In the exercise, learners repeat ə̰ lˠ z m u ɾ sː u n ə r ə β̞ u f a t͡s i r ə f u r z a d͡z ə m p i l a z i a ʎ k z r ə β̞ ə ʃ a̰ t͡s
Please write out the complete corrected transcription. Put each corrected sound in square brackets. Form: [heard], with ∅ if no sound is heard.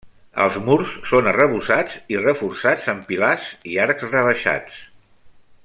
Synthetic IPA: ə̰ lˠ z m u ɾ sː [o] n ə r ə β̞ u [s] a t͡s i r ə f u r [s] a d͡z ə m p i l a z i a [ɾ] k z r ə β̞ ə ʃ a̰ t͡s

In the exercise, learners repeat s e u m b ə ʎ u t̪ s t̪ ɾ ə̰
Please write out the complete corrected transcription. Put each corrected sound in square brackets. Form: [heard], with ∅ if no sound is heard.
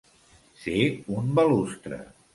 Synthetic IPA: s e u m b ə [l] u [∅] s t̪ ɾ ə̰

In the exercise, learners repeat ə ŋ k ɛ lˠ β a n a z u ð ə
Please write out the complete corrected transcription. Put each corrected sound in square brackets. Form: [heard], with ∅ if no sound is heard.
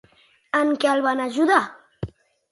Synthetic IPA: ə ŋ k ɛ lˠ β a n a [ʒ] u ð [a]

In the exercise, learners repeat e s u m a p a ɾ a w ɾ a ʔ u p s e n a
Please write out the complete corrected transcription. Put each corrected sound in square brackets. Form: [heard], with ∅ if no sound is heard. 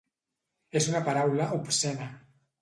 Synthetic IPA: e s u [n] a p a ɾ a w [l] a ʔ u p s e n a

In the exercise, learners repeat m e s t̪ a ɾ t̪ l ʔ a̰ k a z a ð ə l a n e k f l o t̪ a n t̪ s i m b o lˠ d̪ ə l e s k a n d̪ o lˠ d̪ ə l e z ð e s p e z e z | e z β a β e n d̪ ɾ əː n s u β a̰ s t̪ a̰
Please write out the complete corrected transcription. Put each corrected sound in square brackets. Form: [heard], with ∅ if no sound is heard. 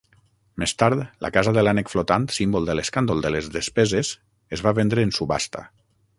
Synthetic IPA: m e s t̪ a ɾ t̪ l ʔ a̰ k a z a ð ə l a n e k f l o t̪ a n t̪ s i m b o lˠ d̪ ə l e s k a n d̪ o lˠ d̪ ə l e z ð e s p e z e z | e z β a β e n d̪ ɾ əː n s u β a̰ s t̪ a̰

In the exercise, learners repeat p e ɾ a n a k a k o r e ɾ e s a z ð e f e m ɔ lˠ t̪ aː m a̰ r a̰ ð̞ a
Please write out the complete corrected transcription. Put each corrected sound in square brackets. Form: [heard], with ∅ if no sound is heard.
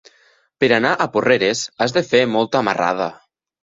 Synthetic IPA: p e ɾ a n a [ʔ] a [p] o r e ɾ e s a z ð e f e m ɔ lˠ t̪ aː m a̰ r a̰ ð̞ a

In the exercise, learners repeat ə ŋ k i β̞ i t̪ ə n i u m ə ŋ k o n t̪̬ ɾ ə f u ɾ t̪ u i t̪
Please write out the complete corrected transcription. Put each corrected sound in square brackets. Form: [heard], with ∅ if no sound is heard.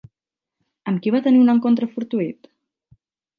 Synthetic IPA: ə [m] k i β̞ [a] t̪ ə n i u [n] ə ŋ k o n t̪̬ ɾ ə f u ɾ t̪ u i t̪

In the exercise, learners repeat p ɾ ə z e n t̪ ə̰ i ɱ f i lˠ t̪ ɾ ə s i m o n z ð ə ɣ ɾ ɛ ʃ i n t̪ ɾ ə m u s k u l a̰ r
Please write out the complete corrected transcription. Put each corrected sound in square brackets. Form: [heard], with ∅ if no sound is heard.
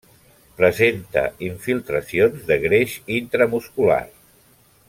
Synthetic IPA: p ɾ ə z e n t̪ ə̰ i ɱ f i lˠ t̪ ɾ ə s i [∅] o n z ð ə ɣ ɾ [e] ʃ i n t̪ ɾ ə m u s k u l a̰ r

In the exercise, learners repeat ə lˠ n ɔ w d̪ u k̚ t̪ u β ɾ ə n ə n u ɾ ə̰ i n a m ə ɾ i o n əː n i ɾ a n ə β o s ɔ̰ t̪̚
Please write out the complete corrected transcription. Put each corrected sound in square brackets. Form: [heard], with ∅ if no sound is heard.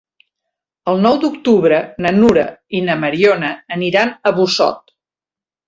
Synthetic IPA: ə lˠ n ɔ w d̪ u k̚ t̪ u β ɾ ə n ə n u ɾ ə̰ i n [ə] m ə ɾ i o n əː n i ɾ a n ə β [u] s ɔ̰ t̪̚

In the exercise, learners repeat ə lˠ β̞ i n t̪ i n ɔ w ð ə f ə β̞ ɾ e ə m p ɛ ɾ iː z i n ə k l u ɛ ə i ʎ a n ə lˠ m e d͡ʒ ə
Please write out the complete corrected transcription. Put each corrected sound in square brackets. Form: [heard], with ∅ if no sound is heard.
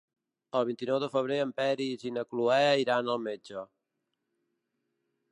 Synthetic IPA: ə lˠ β̞ i n t̪ i n ɔ w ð ə f ə β̞ ɾ e ə m p ɛ ɾ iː z i n ə k l u ɛ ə i [ɾ] a n ə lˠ m e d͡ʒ ə

